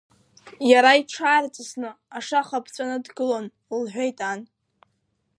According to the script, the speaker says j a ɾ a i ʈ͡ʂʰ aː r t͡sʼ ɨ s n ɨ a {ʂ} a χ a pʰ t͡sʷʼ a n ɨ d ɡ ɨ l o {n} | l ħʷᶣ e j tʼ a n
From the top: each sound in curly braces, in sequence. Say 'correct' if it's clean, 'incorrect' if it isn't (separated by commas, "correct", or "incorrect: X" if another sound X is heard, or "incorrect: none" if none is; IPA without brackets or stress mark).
correct, correct